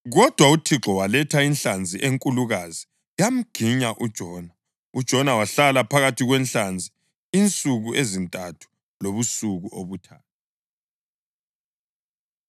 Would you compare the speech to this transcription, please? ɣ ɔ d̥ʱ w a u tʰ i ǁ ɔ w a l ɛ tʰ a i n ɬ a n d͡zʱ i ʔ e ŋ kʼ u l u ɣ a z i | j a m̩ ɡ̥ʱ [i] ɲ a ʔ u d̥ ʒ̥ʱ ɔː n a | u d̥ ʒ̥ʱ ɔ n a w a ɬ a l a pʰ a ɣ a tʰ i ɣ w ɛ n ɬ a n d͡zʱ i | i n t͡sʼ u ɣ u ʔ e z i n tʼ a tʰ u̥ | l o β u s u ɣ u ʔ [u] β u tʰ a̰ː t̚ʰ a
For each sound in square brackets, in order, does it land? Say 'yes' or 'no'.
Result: yes, no

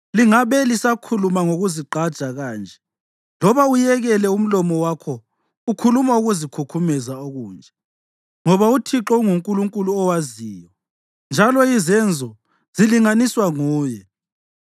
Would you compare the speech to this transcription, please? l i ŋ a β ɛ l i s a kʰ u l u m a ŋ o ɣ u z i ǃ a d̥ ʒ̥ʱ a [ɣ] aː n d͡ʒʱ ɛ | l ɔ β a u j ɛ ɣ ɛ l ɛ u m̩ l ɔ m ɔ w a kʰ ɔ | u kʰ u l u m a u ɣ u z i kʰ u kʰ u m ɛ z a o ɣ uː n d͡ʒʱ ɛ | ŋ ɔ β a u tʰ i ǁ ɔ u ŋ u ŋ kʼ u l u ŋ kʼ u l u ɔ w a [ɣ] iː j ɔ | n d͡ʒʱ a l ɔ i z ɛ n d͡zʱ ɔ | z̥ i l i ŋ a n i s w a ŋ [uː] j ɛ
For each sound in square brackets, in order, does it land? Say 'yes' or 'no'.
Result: yes, no, yes

